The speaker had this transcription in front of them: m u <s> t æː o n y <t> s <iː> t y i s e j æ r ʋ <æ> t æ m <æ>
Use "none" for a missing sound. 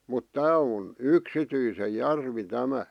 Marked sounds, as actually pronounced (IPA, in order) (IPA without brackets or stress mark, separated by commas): t, k, i, i, æ